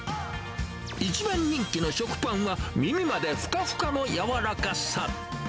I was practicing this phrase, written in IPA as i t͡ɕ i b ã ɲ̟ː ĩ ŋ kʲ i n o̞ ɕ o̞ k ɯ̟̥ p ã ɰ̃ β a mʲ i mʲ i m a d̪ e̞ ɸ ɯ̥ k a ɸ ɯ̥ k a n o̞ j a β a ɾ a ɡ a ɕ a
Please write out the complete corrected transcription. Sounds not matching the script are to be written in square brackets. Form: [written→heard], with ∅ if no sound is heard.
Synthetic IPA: i t͡ɕ i b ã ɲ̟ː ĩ ŋ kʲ i n o̞ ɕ o̞ k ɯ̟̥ p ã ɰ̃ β a mʲ i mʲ i m a d̪ e̞ ɸ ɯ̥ k a ɸ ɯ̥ k a n o̞ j a β a ɾ a [ɡ→k] a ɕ a